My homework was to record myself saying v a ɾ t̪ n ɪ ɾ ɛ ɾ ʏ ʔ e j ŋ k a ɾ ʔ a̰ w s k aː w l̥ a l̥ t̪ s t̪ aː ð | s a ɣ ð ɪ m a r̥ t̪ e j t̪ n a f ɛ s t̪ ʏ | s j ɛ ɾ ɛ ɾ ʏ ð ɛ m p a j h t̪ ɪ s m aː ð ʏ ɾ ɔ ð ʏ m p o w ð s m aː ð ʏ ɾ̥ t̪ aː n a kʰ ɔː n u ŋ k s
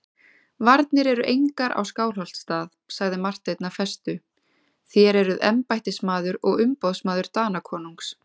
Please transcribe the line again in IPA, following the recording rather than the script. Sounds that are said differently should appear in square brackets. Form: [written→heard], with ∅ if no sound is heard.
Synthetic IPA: v a ɾ t̪ n ɪ ɾ ɛ ɾ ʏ ʔ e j ŋ k a ɾ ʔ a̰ w s k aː w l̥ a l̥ t̪ s t̪ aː ð | s a ɣ ð ɪ m a r̥ t̪ e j t̪ n a f ɛ s t̪ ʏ | [s→θ] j ɛ ɾ ɛ ɾ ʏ ð ɛ m p a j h t̪ ɪ s m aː ð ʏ ɾ ɔ [ð→ɣ] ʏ m p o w ð s m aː ð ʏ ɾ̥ t̪ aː n a kʰ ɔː n u ŋ k s